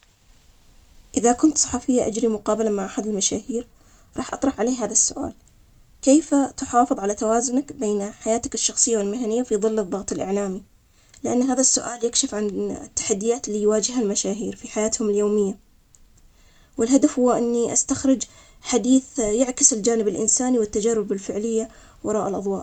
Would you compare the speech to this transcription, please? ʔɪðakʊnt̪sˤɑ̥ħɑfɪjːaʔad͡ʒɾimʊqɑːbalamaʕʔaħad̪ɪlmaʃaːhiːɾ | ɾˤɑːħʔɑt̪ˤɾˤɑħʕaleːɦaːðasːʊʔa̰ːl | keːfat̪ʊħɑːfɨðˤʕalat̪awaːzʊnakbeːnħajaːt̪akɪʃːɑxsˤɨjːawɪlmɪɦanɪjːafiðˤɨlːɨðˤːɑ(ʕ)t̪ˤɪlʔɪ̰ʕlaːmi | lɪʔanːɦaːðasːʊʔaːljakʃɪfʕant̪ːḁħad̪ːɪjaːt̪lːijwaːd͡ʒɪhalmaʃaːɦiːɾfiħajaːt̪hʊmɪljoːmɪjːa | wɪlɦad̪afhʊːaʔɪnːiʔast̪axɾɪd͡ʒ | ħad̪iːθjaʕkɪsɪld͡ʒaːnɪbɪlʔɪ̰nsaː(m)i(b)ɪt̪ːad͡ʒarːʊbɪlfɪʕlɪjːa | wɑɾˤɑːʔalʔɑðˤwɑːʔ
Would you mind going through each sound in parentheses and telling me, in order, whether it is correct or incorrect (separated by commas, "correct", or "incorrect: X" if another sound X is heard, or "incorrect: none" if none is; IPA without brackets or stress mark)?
incorrect: ɣ, incorrect: n, incorrect: w